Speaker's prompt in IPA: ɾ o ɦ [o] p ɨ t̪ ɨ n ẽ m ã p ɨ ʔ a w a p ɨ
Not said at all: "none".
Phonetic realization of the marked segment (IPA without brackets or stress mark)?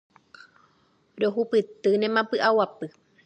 u